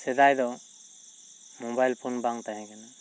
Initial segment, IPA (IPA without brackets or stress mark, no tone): s